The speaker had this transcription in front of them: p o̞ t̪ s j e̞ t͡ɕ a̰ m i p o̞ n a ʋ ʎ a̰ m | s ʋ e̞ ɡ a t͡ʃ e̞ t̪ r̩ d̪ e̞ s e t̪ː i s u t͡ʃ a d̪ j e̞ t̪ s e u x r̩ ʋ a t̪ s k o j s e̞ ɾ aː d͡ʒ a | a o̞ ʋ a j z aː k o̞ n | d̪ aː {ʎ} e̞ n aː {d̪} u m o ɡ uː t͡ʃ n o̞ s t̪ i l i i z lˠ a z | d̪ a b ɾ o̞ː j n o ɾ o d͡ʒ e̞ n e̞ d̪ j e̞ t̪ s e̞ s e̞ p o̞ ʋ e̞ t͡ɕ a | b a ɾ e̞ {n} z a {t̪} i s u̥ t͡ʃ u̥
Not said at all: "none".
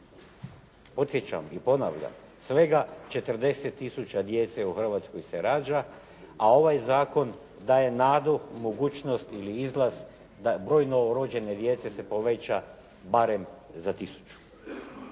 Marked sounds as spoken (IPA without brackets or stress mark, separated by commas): j, d̪, m, t̪